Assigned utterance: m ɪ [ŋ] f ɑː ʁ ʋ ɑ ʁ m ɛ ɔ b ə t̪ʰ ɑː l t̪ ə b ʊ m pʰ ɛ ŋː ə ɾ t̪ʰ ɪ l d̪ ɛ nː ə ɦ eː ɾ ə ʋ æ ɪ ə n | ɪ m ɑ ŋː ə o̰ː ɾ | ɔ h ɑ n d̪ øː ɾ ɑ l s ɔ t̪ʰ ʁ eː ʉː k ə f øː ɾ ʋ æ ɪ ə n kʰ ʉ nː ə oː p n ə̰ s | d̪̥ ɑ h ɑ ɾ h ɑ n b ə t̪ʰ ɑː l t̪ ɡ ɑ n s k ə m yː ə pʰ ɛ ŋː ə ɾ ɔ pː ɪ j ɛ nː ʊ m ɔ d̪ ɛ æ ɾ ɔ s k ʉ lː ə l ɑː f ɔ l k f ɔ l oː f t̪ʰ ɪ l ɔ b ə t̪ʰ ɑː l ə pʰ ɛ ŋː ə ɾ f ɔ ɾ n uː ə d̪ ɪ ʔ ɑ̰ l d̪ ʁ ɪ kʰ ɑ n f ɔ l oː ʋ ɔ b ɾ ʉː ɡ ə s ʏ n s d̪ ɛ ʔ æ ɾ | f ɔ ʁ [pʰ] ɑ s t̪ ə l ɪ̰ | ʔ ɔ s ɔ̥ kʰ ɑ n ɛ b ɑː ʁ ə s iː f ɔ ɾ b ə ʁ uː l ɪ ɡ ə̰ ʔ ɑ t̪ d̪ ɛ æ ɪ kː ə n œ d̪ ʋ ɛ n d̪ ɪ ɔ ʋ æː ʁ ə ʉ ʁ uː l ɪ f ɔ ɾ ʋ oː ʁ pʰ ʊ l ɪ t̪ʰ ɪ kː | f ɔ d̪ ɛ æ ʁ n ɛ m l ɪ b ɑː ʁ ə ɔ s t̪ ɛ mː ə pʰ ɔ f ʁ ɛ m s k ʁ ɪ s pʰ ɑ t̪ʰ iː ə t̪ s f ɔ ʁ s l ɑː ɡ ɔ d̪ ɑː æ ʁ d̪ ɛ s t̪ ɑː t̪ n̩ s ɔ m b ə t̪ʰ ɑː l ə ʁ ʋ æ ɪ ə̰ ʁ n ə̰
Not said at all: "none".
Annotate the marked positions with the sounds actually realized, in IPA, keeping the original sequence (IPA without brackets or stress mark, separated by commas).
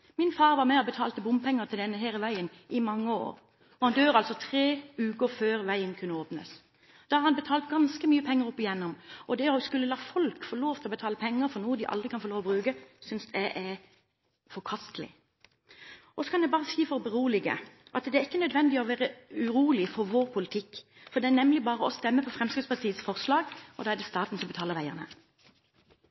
n, kʰ